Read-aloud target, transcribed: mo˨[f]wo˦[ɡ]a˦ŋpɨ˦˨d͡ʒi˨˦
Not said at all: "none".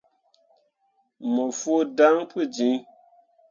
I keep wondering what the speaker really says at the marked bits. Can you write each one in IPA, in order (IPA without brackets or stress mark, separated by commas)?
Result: f, d